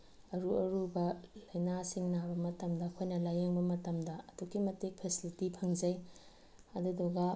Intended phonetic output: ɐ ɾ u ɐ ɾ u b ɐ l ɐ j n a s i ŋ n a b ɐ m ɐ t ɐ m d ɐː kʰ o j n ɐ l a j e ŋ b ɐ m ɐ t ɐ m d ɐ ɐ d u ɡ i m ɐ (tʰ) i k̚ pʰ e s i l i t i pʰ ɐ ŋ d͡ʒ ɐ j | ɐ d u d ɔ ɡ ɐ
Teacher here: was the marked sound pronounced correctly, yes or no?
no